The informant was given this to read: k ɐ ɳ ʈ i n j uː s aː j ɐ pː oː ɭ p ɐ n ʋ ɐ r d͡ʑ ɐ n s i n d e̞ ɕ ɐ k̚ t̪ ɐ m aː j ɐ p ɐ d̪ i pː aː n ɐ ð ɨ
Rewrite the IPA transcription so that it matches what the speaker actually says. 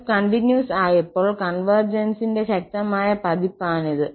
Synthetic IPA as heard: k ɐ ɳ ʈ i n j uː s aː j ɐ pː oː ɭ k ɐ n ʋ ɐ r d͡ʑ ɐ n s i n d e̞ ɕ ɐ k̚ t̪ ɐ m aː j ɐ p ɐ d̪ i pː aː n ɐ ð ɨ

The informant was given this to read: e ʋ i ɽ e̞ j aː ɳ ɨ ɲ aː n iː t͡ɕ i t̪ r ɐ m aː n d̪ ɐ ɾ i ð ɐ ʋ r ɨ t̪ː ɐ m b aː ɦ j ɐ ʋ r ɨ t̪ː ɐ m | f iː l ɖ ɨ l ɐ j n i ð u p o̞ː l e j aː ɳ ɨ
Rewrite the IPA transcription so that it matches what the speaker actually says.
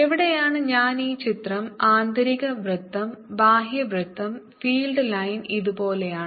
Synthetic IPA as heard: e ʋ i ɽ e̞ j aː ɳ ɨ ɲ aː n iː t͡ɕ i t̪ r ɐ m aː n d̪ ɐ ɾ i ɣ ɐ ʋ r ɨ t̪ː ɐ m b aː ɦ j ɐ ʋ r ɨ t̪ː ɐ m | f iː l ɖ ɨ l ɐ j n i ð u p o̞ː l e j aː ɳ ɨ

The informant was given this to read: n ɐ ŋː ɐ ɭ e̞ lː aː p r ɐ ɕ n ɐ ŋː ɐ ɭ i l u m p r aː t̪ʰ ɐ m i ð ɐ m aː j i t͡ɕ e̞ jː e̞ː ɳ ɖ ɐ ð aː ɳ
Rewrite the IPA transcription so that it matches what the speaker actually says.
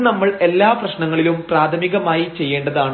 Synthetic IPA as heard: n ɐ mː ɐ ɭ e̞ lː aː p r ɐ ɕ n ɐ ŋː ɐ ɭ i l u m p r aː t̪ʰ ɐ m i ɣ ɐ m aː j i t͡ɕ e̞ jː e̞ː ɳ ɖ ɐ ð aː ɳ

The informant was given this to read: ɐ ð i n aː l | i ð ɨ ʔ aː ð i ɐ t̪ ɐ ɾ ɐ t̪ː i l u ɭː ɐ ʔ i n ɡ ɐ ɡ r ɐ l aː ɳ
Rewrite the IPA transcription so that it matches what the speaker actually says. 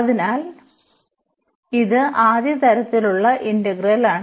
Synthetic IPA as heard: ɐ ð i n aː l | i ð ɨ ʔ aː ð j ɐ t̪ ɐ ɾ ɐ t̪ː i l u ɭː ɐ ʔ i n d ɐ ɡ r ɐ l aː ɳ

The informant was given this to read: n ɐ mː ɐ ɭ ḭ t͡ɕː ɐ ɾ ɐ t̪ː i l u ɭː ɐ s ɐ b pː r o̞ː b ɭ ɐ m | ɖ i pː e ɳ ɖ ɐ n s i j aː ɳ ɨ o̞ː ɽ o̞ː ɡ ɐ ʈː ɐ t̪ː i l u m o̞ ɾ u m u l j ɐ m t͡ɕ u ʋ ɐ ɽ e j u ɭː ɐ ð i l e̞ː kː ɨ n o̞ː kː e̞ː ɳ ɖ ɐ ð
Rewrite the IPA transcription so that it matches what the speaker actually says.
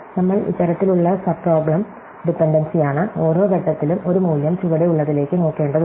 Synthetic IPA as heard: n ɐ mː ɐ ɭ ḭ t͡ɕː ɐ ɾ ɐ t̪ː i l u ɭː ɐ s ɐ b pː r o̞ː b ɭ ɐ m | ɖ i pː e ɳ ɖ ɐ n s i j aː ɳ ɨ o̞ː ɾ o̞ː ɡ ɐ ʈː ɐ t̪ː i l u m o̞ ɾ u m uː l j ɐ m t͡ɕ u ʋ ɐ ɽ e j u ɭː ɐ ð i l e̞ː kː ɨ n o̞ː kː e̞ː ɳ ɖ ɐ ð

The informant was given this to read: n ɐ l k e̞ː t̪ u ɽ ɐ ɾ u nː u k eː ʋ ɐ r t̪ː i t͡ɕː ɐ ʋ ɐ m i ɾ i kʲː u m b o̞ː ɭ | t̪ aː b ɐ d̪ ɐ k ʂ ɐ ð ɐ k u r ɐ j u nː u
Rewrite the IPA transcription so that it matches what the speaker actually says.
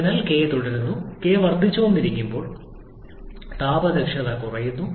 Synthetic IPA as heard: n ɐ l k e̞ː t̪ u ɽ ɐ ɾ u nː u k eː ʋ ɐ r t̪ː i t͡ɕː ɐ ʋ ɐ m i ɾ i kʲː u m b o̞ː ɭ | t̪ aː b ɐ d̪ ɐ k ʂ ɐ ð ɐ k u r ɐ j u nː u

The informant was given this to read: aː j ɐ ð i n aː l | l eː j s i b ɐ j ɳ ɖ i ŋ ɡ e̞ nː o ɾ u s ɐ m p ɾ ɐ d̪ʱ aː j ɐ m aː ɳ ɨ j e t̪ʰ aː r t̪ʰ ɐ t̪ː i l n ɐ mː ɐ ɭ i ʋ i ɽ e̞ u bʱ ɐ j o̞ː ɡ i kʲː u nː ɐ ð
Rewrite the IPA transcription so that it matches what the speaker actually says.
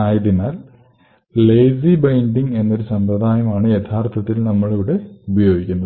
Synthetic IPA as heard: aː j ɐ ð i n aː l | l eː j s i b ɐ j ɳ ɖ i ŋ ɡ e̞ nː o ɾ u s ɐ m p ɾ ɐ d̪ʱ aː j ɐ m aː ɳ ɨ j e t̪ʰ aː r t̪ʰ ɐ t̪ː i l n ɐ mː ɐ ɭ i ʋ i ɽ e̞ u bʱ ɐ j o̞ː ɡ i kʲː u nː ɐ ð

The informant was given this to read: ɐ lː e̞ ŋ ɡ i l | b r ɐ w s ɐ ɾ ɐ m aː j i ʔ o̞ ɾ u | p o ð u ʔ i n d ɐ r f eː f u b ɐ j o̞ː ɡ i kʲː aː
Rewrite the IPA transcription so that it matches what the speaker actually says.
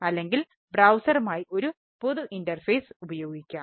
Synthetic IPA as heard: ɐ lː e̞ ŋ ɡ i l | b r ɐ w s ɐ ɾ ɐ m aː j i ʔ o̞ ɾ u | p o ð u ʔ i n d ɐ r f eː s u b ɐ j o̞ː ɡ i kʲː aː

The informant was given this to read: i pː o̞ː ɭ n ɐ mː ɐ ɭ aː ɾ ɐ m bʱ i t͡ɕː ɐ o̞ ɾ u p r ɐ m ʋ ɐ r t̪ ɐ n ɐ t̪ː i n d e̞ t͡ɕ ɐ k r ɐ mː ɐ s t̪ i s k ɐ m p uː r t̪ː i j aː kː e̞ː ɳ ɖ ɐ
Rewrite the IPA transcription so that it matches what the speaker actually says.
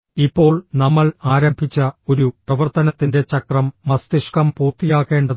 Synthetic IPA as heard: i pː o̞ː ɭ n ɐ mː ɐ ɭ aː ɾ ɐ m bʱ i t͡ɕː ɐ o̞ ɾ u p r ɐ ʋ ɐ r t̪ ɐ n ɐ t̪ː i n d e̞ t͡ɕ ɐ k r ɐ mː ɐ s t̪ i ʂ k ɐ m p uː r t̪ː i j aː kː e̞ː ɳ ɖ ɐ

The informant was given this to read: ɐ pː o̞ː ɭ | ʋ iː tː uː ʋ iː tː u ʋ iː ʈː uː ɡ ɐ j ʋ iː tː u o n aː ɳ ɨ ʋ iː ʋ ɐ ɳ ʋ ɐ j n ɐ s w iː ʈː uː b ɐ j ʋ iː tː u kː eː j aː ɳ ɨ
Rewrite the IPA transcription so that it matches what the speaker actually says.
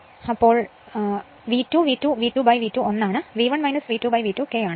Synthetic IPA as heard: ɐ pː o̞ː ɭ | ʋ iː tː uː ʋ iː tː u ʋ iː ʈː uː b ɐ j ʋ iː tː u o nː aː ɳ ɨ ʋ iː ʋ ɐ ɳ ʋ ɐ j n ɐ s ʋ iː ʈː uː b ɐ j ʋ iː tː u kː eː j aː ɳ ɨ

